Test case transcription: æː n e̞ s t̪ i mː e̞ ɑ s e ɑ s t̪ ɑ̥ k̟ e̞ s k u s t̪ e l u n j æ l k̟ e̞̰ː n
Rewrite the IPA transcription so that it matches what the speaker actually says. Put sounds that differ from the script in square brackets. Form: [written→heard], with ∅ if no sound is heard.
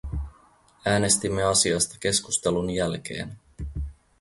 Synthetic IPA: æː n e̞ s t̪ i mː e̞ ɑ s [e→i] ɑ s t̪ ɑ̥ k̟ e̞ s k u s t̪ e l u n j æ l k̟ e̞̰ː n